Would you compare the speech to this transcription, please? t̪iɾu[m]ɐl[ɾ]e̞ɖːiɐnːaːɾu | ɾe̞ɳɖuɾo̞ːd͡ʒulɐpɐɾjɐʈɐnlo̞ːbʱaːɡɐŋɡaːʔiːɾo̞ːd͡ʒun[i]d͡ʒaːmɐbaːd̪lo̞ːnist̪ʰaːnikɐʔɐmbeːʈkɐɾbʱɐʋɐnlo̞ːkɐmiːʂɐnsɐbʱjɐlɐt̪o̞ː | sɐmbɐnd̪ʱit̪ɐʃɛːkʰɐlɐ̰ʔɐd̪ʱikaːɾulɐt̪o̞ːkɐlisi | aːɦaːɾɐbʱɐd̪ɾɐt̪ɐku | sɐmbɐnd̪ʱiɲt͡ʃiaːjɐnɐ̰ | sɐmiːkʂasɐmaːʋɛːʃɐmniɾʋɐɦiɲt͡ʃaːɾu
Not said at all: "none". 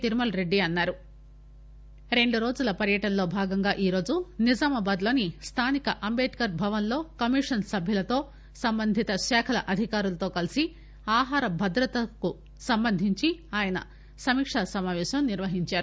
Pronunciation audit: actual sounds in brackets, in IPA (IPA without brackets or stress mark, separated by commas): m, ɾ, i